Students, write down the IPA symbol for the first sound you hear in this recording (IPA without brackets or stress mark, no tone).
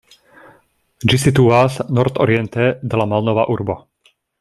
d͡ʒ